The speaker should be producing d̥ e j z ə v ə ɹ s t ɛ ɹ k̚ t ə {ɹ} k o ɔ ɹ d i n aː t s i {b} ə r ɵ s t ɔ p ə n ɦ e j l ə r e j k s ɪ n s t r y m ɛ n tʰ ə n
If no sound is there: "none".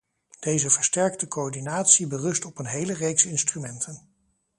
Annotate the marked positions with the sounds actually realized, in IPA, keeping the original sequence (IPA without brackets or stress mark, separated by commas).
none, b